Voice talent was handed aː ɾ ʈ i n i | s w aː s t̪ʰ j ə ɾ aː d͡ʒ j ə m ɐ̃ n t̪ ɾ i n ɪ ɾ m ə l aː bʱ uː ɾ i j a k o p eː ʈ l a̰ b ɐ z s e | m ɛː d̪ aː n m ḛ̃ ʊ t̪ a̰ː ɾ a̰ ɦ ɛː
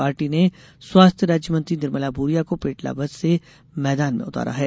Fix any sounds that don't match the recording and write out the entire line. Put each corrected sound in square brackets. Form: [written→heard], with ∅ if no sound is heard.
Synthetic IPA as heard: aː ɾ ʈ i n [i→e] | s w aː s t̪ʰ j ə ɾ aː d͡ʒ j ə m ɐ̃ n t̪ ɾ i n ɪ ɾ m ə l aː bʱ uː ɾ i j a k o p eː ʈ l a̰ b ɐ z s e | m ɛː d̪ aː n m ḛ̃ ʊ t̪ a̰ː ɾ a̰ ɦ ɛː